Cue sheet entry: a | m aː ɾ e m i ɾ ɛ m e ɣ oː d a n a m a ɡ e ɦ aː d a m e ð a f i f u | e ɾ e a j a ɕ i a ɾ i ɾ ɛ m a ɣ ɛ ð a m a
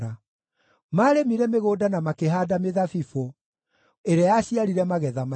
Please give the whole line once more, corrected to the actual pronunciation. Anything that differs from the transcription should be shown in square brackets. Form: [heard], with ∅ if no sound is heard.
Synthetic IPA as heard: a | m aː ɾ e m i ɾ ɛ m e ɣ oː d a n a m a [k] e ɦ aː d a m e ð a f i f [o] | e ɾ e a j a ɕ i a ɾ i ɾ ɛ m a ɣ ɛ ð a m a